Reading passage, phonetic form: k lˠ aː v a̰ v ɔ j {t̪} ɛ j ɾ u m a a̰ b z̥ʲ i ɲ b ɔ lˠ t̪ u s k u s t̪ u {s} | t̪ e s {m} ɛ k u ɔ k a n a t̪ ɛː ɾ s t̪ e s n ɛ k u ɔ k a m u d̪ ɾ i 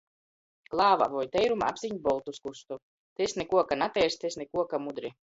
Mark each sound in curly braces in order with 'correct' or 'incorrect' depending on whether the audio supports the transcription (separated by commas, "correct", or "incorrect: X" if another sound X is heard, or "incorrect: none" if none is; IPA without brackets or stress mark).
correct, incorrect: none, incorrect: n